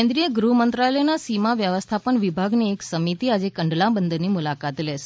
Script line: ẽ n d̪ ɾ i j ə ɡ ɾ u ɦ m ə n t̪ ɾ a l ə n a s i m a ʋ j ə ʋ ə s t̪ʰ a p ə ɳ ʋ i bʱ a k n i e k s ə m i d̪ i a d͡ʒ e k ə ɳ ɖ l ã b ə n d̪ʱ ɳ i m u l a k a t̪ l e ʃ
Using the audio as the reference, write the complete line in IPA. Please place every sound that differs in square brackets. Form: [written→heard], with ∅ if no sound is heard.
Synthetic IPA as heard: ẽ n d̪ ɾ i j ə ɡ ɾ u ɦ m ə n t̪ ɾ a l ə n a s i m a ʋ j ə ʋ ə s t̪ʰ a p ə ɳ ʋ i bʱ a [k→ɡ] n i e k s ə m i [d̪→t̪] i a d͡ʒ e k ə ɳ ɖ l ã b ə n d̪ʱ [ɳ→n] i m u l a k a t̪ l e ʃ